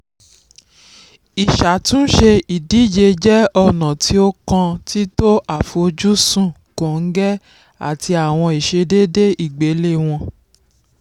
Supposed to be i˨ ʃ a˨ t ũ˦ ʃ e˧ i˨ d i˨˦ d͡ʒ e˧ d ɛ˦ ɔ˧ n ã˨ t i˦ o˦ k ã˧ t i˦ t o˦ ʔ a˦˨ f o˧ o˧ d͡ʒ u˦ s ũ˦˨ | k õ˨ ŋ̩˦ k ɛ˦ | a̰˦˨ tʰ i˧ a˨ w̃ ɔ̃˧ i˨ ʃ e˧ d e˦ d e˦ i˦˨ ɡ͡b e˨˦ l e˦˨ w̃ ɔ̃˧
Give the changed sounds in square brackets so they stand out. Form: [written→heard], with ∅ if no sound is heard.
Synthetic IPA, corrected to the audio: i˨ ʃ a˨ t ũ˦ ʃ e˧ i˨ d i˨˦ d͡ʒ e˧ [d→d͡ʒ] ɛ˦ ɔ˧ n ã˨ t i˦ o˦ k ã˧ t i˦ t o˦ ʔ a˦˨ f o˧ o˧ d͡ʒ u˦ s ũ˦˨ | k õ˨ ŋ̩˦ [k→ɡ] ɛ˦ | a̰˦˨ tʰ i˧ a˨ w̃ ɔ̃˧ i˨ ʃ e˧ d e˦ d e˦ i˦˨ ɡ͡b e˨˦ l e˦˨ w̃ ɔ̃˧